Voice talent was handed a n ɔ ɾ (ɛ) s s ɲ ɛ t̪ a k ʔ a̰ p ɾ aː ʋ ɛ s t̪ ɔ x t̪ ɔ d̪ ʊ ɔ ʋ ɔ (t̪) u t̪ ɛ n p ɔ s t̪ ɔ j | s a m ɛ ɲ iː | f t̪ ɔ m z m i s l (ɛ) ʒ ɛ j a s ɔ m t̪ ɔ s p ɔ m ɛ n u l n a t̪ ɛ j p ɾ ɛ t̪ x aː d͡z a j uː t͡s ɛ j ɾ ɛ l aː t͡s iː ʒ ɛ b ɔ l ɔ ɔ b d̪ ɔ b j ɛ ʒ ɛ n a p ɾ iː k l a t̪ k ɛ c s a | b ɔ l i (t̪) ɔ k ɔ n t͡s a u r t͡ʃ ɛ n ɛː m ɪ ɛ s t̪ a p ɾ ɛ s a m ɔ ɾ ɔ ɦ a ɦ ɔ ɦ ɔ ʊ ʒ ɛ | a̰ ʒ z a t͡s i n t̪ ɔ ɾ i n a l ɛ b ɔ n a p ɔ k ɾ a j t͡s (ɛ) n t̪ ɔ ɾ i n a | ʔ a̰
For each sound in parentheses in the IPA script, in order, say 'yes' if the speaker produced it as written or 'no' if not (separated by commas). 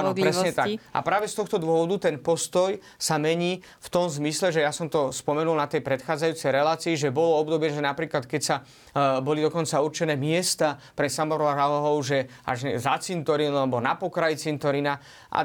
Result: yes, no, yes, no, no